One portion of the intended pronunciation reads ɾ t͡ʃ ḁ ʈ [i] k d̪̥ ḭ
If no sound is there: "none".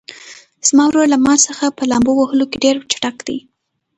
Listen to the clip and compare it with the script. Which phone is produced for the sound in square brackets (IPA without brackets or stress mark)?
a